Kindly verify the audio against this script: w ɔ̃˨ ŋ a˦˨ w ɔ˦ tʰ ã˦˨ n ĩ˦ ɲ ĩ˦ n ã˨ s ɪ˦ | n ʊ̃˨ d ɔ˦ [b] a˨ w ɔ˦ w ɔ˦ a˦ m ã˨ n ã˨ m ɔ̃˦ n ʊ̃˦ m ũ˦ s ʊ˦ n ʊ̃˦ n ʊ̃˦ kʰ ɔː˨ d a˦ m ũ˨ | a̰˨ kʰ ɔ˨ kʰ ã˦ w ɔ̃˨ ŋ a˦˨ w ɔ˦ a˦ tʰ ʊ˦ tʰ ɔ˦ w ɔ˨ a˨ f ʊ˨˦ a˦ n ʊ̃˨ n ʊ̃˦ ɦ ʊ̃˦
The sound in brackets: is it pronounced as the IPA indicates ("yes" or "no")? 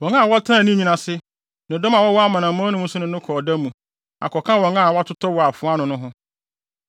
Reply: no